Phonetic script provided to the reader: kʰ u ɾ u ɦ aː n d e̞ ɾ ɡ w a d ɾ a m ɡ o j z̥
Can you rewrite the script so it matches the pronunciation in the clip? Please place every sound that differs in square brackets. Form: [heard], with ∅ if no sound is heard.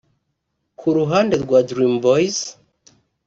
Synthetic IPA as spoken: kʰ u ɾ u ɦ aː n d e̞ ɾ ɡ w a d ɾ [i] m [b] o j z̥